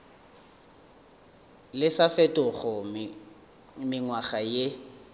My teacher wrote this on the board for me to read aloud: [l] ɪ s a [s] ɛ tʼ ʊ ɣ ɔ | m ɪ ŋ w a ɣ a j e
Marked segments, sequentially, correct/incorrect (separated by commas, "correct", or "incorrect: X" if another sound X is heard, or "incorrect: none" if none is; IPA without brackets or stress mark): correct, incorrect: f